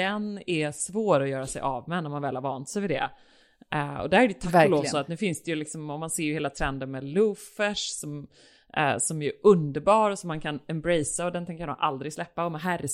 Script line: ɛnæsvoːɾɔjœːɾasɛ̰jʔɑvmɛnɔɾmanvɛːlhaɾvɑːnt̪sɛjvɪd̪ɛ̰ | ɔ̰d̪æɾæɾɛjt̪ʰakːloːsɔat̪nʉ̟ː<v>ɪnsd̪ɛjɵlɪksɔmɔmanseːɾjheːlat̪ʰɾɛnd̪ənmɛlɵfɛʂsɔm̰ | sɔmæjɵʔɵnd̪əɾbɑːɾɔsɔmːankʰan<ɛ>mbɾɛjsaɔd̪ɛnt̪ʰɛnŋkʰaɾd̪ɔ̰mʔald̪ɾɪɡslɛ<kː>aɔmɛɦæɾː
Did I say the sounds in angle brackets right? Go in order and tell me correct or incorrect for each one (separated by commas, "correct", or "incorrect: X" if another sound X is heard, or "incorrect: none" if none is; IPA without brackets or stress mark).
incorrect: f, correct, incorrect: pː